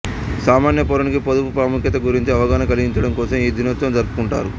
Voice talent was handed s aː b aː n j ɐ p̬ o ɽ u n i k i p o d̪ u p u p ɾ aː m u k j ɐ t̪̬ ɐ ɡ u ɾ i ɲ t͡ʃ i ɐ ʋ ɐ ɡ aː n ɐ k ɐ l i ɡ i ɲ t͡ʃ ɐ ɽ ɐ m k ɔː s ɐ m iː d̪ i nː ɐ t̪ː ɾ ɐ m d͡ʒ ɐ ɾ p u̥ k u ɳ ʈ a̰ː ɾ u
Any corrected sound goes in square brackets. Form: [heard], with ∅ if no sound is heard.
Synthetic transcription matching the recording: s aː [m] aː n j ɐ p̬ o [ɾ] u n i k i p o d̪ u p u p ɾ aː m u k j ɐ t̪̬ ɐ ɡ u ɾ i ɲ t͡ʃ i ɐ ʋ ɐ ɡ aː n ɐ k ɐ l i ɡ i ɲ t͡ʃ ɐ ɽ ɐ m k ɔː s ɐ m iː d̪ i [n] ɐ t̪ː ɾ ɐ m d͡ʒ ɐ ɾ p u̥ k u ɳ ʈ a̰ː ɾ u

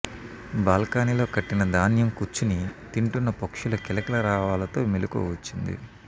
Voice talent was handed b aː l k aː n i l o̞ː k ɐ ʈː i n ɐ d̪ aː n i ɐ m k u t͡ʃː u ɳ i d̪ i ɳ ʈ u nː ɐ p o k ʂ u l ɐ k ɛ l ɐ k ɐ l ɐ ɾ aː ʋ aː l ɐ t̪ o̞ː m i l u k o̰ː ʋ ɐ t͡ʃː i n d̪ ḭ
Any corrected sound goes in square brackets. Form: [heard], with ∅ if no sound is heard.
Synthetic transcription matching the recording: b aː l k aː n i l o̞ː k ɐ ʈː i n ɐ d̪ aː n [j] ɐ m k u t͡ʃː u [n] i [t̪] i ɳ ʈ u nː ɐ p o k ʂ u l ɐ k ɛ l ɐ k ɐ l ɐ ɾ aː ʋ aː l ɐ t̪ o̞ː m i l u k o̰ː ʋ ɐ t͡ʃː i n d̪ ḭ

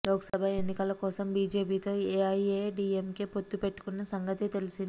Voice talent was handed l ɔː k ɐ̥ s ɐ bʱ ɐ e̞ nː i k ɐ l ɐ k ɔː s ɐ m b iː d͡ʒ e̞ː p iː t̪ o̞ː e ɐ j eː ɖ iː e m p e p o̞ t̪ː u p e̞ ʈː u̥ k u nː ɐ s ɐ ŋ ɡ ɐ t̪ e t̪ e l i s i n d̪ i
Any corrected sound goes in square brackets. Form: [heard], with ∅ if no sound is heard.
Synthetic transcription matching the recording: l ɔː k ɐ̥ s ɐ bʱ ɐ e̞ nː i k ɐ l ɐ k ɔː s ɐ m b iː d͡ʒ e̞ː p iː t̪ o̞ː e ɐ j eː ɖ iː e m [k] e p o̞ t̪ː u p e̞ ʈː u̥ k u nː ɐ s ɐ ŋ ɡ ɐ t̪ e t̪ e l i s i n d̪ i

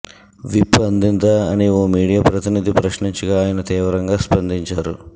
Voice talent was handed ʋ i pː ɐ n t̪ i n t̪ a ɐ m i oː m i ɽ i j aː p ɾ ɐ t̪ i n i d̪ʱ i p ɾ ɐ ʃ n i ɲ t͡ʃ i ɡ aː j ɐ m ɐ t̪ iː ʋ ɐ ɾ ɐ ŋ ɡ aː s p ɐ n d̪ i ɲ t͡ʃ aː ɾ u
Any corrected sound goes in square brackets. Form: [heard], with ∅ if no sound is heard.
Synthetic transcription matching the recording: ʋ i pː ɐ n [d̪] i n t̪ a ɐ [n] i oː m [iː] ɽ i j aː p ɾ ɐ t̪ i n i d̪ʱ i p ɾ ɐ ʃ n i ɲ t͡ʃ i ɡ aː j ɐ [n] ɐ t̪ iː ʋ ɐ ɾ ɐ ŋ ɡ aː s p ɐ n d̪ i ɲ t͡ʃ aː ɾ u

